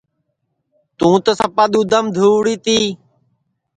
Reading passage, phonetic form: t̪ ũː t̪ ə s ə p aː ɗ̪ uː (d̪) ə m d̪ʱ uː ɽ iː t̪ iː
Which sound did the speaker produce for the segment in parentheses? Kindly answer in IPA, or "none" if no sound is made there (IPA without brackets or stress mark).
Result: d̪